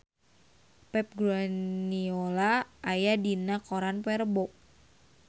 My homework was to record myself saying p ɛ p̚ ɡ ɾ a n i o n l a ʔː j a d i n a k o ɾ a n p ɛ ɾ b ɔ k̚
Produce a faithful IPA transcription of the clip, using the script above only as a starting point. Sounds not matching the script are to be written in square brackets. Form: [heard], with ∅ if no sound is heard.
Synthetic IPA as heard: p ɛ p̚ ɡ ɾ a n i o [∅] l a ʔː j a d i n a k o ɾ a n p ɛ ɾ b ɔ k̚